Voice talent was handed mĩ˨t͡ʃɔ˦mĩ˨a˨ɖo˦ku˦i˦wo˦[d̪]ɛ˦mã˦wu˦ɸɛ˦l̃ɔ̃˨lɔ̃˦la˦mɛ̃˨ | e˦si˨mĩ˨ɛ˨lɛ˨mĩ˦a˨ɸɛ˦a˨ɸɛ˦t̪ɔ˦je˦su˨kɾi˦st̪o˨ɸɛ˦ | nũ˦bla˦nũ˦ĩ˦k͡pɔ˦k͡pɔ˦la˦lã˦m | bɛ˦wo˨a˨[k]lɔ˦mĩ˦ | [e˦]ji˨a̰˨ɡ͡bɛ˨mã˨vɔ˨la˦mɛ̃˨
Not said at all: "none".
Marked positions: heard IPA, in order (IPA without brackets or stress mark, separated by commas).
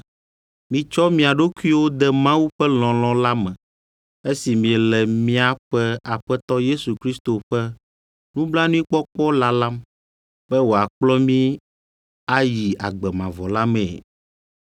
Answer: d̪, k͡p, a˦